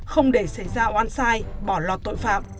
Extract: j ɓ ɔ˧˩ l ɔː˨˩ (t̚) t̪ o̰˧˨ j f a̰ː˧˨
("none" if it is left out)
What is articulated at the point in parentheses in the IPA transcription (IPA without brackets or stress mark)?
t̚